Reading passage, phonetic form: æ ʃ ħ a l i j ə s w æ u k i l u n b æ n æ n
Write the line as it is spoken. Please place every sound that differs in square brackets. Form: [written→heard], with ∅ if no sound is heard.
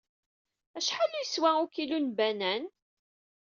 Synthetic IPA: æ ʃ ħ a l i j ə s w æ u k i l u n b æ n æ n